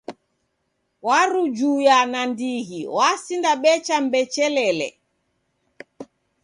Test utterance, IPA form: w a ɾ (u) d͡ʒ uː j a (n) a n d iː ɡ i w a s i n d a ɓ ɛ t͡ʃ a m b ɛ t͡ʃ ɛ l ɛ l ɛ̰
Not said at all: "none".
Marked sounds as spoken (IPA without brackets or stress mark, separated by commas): u, n